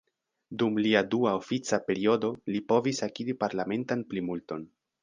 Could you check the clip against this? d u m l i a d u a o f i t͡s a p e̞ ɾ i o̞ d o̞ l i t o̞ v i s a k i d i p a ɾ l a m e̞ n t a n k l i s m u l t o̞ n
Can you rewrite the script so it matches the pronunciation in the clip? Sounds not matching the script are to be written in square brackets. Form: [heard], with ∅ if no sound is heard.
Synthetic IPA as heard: d u m l i a d u a o f i t͡s a p e̞ ɾ i o̞ d o̞ l i [p] o̞ v i s a k i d i p a ɾ l a m e̞ n t a n [p] l i [∅] m u l t o̞ n